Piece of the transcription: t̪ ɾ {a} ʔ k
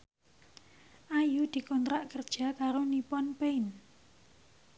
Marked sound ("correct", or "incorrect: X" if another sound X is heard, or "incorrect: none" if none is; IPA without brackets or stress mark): correct